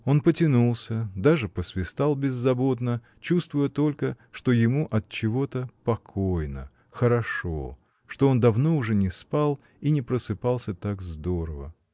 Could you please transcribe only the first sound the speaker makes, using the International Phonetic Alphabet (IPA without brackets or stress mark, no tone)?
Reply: o̞